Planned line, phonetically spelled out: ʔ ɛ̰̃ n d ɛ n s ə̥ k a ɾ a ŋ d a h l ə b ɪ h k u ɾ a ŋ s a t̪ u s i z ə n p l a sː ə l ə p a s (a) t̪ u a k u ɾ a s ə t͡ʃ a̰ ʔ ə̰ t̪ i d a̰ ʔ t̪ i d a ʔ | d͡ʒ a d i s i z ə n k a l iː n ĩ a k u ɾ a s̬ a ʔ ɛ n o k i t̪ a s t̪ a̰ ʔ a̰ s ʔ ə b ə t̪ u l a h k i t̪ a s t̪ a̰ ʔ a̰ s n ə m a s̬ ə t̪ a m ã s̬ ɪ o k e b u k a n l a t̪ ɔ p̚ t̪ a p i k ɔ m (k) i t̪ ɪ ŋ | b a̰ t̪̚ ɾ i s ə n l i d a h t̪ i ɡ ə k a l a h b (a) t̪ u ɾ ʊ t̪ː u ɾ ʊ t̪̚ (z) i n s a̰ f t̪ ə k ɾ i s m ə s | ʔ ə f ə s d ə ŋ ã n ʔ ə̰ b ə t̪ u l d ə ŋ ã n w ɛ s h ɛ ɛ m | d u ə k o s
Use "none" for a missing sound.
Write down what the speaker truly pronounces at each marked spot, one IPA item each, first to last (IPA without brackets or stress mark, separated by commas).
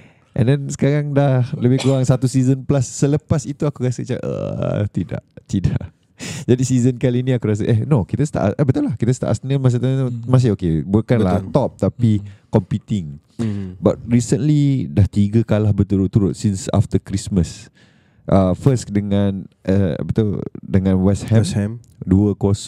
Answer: i, p, ə, s